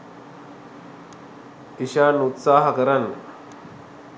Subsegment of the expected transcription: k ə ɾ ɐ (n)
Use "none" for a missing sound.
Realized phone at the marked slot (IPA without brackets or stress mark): n